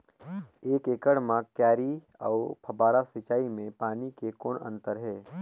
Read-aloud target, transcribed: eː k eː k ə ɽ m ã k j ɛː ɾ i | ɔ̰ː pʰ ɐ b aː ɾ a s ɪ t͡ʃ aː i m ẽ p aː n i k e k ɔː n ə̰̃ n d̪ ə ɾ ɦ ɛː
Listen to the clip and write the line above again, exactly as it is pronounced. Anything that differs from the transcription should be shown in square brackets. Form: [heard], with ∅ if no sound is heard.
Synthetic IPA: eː k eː k ə ɽ m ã k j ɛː ɾ i | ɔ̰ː pʰ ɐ b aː ɾ a s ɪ t͡ʃ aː i m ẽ p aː n i k e k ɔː n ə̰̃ n [t̪] ə ɾ ɦ ɛː